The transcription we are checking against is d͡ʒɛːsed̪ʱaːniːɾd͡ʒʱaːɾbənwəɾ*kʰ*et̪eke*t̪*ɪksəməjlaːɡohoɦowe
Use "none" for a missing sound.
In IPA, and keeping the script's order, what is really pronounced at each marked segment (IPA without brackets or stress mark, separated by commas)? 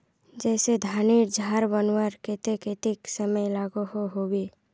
k, t̪